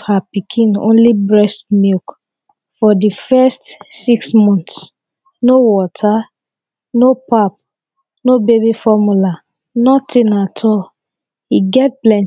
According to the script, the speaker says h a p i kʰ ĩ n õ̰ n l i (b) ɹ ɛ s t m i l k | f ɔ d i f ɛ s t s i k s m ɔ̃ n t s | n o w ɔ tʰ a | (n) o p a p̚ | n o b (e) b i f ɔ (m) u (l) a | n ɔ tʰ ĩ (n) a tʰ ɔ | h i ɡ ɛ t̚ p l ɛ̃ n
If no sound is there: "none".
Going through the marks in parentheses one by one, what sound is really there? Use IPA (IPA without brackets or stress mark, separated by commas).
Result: b, n, e, m, l, n